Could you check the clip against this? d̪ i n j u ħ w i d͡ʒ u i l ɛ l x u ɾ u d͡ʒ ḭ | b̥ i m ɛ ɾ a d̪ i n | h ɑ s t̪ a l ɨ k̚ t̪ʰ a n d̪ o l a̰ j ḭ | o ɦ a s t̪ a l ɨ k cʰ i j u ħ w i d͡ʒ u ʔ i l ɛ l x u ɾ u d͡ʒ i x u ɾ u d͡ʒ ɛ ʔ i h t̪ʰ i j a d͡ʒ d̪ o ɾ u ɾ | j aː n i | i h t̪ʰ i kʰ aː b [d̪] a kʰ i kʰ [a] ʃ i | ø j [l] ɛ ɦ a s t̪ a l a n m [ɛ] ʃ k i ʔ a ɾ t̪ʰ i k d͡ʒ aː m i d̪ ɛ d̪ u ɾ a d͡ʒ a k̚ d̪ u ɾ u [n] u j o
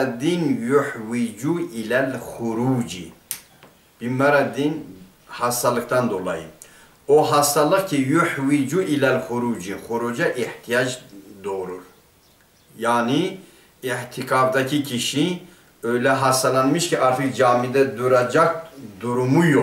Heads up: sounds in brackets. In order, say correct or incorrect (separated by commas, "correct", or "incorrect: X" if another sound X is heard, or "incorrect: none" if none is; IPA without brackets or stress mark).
correct, incorrect: i, correct, incorrect: i, incorrect: m